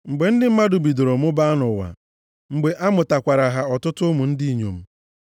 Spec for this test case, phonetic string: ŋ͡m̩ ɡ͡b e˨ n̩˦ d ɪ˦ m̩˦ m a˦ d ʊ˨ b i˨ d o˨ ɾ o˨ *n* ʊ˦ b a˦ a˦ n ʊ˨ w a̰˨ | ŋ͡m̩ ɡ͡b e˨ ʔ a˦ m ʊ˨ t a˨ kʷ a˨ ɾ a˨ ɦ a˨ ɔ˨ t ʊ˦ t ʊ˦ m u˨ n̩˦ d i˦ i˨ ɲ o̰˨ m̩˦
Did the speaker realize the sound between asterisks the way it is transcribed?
no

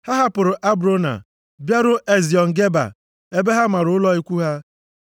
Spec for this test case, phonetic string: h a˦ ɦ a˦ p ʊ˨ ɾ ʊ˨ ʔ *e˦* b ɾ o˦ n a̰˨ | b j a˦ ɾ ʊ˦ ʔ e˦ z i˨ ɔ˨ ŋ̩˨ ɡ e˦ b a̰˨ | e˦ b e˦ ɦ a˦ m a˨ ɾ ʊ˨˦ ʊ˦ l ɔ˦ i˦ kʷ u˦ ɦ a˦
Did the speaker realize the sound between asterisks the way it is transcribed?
no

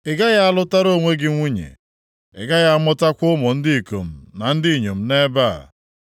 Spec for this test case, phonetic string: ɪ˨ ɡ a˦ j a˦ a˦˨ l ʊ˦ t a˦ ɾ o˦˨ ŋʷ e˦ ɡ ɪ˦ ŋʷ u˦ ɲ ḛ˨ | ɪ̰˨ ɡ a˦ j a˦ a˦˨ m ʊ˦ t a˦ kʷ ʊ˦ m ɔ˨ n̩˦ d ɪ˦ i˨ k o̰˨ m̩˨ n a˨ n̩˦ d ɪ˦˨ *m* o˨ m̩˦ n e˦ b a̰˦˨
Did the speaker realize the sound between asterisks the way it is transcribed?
no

